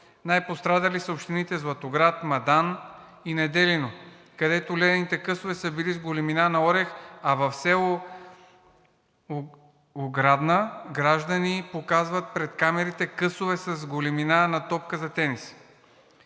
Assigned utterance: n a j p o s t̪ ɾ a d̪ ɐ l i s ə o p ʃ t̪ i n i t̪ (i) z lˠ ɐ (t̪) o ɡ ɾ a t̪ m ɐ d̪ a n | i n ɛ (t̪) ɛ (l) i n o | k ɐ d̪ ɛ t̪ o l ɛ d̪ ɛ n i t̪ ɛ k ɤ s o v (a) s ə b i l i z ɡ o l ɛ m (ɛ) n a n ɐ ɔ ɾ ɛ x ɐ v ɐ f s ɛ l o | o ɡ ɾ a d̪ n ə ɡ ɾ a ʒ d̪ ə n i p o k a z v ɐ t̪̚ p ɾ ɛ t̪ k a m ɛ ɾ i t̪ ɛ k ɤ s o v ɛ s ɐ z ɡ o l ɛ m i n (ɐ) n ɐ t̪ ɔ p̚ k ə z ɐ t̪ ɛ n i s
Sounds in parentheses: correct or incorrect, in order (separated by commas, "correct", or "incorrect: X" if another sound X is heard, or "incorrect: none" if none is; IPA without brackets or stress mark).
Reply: incorrect: ɛ, correct, incorrect: d̪, correct, incorrect: ɛ, incorrect: i, incorrect: a